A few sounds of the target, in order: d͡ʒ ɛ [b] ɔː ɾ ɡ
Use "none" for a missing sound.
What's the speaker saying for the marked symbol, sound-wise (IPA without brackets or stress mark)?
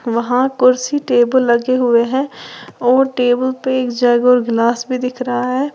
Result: ɡ